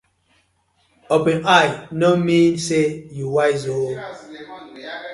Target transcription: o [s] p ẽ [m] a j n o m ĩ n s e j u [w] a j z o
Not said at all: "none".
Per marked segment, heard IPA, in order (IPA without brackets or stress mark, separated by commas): none, n, w